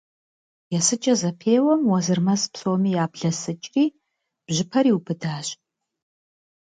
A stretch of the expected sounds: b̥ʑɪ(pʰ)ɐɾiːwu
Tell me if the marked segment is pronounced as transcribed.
yes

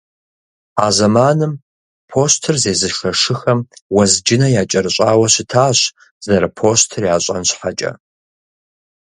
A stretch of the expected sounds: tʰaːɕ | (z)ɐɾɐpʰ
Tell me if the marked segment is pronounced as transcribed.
yes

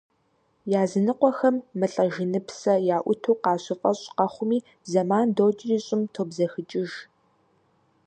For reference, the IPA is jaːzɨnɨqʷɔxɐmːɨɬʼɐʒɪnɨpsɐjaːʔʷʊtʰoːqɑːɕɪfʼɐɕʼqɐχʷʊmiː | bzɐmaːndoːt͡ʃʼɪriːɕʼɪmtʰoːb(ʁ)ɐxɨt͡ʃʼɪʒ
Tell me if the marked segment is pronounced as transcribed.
no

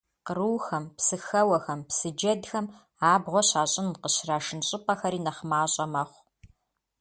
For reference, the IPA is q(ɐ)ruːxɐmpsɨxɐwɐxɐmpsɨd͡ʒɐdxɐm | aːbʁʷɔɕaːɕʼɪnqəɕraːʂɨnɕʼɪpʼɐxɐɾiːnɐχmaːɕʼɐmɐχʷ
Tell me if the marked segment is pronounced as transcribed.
no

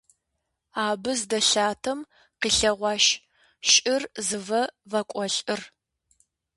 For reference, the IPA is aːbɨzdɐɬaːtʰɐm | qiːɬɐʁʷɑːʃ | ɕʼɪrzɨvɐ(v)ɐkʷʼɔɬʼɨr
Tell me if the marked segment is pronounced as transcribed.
yes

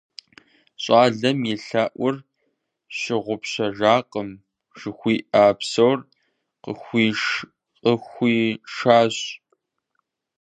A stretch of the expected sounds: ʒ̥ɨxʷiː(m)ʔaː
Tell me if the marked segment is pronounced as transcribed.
no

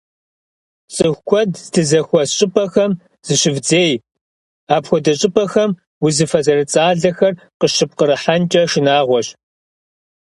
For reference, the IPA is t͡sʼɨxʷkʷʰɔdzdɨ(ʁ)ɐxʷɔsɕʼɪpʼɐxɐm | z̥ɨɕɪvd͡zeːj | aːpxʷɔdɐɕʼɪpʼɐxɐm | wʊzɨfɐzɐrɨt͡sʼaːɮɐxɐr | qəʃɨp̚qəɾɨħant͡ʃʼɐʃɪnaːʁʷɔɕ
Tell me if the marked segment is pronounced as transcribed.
no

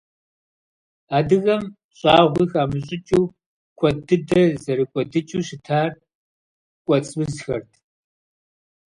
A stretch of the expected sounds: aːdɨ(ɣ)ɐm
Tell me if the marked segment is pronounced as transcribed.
yes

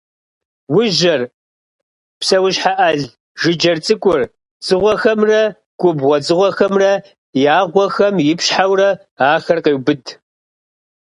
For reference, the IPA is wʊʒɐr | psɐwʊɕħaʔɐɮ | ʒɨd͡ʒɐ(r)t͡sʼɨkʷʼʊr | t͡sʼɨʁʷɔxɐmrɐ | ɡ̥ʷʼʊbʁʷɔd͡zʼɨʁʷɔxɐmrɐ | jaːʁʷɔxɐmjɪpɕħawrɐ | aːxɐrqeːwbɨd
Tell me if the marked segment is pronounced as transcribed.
yes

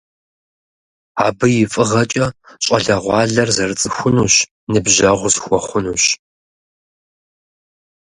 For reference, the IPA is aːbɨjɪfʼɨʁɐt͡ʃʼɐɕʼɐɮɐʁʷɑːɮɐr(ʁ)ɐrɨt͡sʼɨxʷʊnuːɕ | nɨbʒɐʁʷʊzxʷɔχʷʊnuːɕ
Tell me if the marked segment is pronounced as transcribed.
no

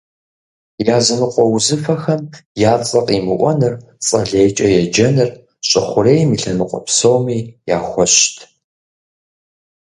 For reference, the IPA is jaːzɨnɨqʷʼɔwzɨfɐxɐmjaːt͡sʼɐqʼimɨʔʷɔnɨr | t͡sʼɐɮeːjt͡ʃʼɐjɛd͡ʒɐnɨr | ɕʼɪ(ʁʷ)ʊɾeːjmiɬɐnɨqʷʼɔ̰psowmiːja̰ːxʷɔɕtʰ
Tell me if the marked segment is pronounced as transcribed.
no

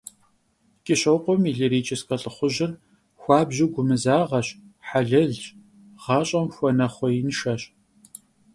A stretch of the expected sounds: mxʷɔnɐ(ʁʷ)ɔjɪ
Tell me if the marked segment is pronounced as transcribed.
no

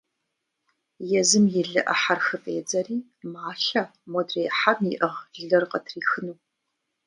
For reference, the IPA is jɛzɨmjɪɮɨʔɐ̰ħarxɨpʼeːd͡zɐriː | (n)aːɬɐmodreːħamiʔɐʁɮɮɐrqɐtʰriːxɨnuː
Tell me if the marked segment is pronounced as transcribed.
no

